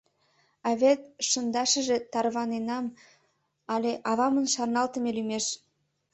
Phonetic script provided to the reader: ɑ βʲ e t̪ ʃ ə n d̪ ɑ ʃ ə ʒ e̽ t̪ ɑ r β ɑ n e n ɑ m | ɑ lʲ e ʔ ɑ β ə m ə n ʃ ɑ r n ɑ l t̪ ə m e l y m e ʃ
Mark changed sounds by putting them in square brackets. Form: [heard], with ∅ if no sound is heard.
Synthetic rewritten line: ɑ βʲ e t̪ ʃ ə n d̪ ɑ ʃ ə ʒ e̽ t̪ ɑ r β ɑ n e n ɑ m | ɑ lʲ e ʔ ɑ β [ɑ] m ə n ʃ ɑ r n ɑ l t̪ ə m e l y m e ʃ

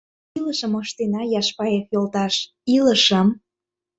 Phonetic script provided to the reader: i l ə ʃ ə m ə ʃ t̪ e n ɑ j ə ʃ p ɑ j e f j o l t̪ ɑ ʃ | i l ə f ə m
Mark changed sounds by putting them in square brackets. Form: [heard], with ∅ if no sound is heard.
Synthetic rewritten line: i l ə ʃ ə m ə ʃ t̪ e n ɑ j [ɑ] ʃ p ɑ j e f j o l t̪ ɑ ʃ | i l ə [ʃ] ə m

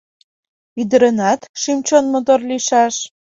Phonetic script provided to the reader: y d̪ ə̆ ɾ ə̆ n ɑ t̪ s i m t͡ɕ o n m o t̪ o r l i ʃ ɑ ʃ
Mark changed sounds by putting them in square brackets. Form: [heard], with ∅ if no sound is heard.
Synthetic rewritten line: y d̪ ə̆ ɾ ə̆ n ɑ t̪ [ʃ] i m t͡ɕ o n m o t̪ o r l i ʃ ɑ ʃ

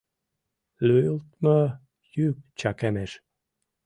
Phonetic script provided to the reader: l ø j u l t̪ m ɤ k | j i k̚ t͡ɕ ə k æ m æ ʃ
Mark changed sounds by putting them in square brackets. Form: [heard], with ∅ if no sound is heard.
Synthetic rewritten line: l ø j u l t̪ m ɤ [∅] | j [y] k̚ t͡ɕ [ɑ] k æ m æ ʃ

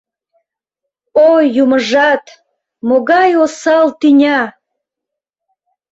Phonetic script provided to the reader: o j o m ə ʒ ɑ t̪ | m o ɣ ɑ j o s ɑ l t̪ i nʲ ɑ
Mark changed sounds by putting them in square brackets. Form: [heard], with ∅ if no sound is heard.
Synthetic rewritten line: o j [u] m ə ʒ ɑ t̪ | m o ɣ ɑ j o s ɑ l t̪ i nʲ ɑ

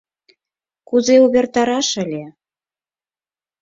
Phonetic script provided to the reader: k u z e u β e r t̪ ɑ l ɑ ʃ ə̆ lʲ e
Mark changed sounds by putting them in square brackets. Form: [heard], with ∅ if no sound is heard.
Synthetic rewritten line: k u z e u β e r t̪ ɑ [ɾ] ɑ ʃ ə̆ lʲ e

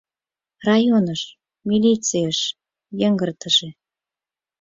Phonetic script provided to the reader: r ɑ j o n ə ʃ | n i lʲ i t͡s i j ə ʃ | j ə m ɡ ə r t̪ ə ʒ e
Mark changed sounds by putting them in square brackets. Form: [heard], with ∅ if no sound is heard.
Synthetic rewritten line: r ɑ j o n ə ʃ | [m] i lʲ i t͡s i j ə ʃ | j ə [ŋ] ɡ ə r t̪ ə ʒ e

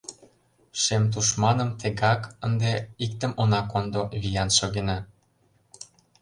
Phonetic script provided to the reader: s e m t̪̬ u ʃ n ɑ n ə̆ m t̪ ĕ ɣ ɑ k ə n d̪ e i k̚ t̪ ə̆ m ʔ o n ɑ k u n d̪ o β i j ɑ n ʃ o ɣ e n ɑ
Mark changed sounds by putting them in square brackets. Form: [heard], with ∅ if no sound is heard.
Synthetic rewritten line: [ʃ] e m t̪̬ u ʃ [m] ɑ n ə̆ m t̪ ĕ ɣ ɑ k ə n d̪ e i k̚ t̪ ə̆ m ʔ o n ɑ k [o] n d̪ o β i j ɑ n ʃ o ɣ e n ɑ

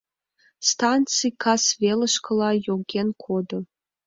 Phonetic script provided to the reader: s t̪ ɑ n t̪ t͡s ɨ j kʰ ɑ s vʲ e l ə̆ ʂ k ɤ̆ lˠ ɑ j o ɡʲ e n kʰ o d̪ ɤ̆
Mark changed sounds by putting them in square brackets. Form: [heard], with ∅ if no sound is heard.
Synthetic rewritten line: s t̪ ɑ n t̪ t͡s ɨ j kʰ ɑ s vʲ e l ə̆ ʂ k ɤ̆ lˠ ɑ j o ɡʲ e n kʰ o d̪ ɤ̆

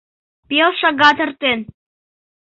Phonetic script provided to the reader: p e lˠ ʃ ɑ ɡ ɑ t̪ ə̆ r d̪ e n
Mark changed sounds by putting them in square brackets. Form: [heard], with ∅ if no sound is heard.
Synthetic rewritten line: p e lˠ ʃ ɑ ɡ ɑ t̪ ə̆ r [t̪] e n

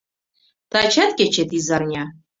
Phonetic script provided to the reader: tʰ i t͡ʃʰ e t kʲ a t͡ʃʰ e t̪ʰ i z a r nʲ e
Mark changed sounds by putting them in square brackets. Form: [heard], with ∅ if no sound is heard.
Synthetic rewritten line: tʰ [a] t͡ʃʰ [a] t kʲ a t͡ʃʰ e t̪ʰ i z a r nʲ [a]

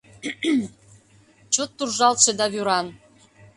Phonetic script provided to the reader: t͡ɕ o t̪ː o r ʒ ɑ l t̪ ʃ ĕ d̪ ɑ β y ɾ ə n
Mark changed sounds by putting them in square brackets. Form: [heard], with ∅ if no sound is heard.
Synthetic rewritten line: t͡ɕ o t̪ː [u] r ʒ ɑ l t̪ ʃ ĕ d̪ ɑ β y ɾ [ɑ] n

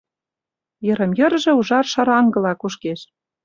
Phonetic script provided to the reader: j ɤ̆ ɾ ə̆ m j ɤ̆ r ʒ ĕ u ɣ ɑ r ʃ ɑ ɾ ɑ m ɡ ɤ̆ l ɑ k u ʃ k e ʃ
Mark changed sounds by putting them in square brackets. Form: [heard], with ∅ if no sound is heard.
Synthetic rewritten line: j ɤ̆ ɾ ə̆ m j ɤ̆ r ʒ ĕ u [ʒ] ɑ r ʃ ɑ ɾ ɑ [ŋ] ɡ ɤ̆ l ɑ k u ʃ k e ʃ

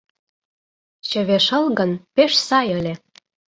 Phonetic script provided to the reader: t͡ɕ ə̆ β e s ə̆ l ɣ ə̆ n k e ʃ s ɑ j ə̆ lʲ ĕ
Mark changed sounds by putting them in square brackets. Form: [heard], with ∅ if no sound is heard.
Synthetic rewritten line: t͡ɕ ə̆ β e [ʃ] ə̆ l ɣ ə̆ n [p] e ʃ s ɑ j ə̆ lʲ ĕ

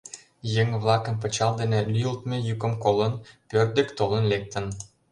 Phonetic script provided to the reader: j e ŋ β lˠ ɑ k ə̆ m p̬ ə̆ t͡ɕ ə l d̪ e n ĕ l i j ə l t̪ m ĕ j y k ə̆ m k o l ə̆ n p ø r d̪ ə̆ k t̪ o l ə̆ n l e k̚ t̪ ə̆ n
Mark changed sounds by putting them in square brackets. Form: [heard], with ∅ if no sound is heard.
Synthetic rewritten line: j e ŋ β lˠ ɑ k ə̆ m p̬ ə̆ t͡ɕ [ɑ] l d̪ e n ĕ l [y] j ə l t̪ m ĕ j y k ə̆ m k o l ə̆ n p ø r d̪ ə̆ k t̪ o l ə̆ n l e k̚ t̪ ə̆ n

